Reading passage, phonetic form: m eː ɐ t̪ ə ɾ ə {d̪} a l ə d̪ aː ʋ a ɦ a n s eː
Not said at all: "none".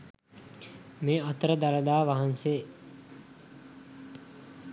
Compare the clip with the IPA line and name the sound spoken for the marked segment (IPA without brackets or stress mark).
d̪